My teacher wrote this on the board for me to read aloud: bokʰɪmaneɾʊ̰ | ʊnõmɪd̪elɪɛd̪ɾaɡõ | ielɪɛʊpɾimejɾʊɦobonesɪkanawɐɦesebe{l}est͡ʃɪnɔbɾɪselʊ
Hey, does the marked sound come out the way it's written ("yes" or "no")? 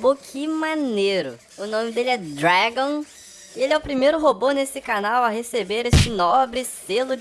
no